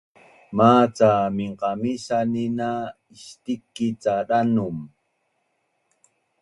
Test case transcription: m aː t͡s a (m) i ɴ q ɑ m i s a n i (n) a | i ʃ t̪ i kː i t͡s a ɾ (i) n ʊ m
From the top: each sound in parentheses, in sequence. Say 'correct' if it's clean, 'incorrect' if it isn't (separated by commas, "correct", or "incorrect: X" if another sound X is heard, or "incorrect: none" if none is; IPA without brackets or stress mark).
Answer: correct, correct, incorrect: a